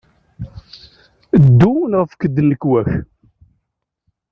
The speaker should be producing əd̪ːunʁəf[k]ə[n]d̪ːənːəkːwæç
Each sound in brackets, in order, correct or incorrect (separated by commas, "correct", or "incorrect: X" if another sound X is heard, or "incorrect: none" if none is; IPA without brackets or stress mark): correct, incorrect: none